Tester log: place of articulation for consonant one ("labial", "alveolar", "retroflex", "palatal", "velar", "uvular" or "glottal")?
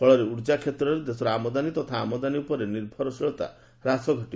retroflex